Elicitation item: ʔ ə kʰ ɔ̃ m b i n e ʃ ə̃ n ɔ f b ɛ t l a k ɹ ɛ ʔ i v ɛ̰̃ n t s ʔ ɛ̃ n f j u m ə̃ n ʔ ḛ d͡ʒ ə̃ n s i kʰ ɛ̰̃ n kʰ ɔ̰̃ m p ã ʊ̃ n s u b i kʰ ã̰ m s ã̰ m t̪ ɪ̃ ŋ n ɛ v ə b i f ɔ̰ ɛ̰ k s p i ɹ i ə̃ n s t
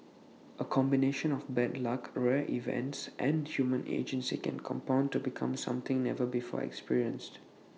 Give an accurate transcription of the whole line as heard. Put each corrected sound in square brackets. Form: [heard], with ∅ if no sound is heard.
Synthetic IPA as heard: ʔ ə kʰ ɔ̃ m b i n e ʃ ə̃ n ɔ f b ɛ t l a k ɹ ɛ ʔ i v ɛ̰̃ n t s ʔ ɛ̃ n [h] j u m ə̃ n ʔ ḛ d͡ʒ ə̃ n s i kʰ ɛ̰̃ n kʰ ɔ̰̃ m p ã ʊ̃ n [t] u b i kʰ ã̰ m s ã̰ m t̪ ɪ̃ ŋ n ɛ v ə b i f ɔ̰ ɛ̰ k s p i ɹ i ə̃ n s t